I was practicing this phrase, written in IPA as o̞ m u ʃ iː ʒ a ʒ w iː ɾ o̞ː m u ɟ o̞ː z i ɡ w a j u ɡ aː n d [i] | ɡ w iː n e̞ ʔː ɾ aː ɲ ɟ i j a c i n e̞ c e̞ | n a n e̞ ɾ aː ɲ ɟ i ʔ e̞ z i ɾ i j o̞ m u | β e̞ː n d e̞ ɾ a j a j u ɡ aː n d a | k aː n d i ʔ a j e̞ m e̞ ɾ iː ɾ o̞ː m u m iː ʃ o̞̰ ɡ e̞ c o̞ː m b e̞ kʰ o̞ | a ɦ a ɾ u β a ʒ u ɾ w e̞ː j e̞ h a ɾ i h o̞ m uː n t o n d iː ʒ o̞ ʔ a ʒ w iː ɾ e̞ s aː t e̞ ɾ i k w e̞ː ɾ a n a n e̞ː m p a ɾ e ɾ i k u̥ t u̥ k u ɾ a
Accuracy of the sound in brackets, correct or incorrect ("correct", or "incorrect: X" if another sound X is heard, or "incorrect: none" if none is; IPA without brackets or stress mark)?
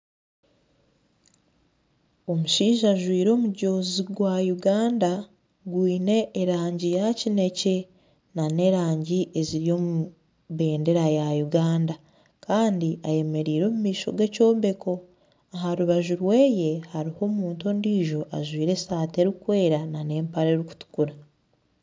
incorrect: a